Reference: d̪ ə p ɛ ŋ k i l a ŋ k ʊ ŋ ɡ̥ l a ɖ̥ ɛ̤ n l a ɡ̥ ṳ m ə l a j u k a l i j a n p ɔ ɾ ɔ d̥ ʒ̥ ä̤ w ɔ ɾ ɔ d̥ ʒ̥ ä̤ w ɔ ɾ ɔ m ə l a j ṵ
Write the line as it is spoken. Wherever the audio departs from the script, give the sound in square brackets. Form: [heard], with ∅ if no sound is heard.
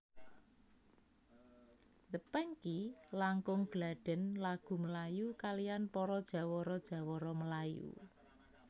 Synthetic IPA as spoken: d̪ ə p ɛ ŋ k i l a ŋ k ʊ ŋ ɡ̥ l a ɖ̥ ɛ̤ n l a ɡ̥ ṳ m ə l a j u k a l i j a n p ɔ ɾ ɔ d̥ ʒ̥ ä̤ w ɔ ɾ ɔ d̥ ʒ̥ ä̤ w ɔ ɾ ɔ m ə l a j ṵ